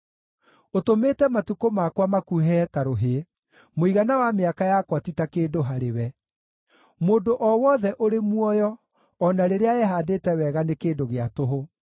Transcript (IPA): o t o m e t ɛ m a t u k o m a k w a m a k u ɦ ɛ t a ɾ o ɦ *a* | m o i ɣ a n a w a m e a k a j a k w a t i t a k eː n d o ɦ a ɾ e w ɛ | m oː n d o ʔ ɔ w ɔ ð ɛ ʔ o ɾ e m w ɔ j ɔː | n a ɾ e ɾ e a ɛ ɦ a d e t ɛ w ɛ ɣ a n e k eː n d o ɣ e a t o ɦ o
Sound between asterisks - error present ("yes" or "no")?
yes